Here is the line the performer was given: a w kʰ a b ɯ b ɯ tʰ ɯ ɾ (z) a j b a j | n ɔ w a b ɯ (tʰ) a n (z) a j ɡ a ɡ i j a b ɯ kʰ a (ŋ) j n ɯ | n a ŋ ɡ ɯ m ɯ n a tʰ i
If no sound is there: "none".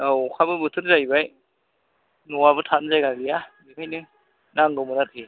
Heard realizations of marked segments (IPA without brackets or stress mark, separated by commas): z, tʰ, z, none